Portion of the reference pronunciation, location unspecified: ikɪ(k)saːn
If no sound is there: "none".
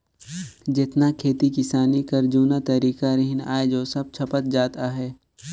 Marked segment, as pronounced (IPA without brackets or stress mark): none